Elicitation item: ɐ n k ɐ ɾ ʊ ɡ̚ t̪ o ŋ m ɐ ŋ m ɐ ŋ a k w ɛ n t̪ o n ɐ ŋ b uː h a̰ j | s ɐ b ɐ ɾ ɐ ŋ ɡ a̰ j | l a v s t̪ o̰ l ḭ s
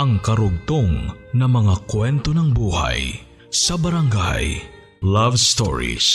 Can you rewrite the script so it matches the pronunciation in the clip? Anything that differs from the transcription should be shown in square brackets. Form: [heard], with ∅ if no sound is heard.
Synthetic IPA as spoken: ɐ [ŋ] k ɐ ɾ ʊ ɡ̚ t̪ o ŋ [n] ɐ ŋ m ɐ ŋ a k w ɛ n t̪ o n ɐ ŋ b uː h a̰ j | s ɐ b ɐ ɾ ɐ ŋ ɡ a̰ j | l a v s t̪ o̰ [ɹ] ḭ s